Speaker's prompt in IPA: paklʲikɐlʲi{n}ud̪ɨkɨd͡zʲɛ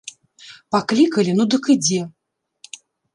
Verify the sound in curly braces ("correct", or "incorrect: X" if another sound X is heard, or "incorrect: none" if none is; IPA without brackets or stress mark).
correct